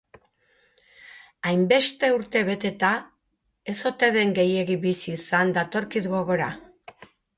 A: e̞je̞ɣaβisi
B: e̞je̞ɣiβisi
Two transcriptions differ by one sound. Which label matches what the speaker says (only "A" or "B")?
B